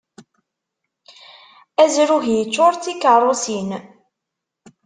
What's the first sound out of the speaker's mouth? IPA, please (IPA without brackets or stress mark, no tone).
æ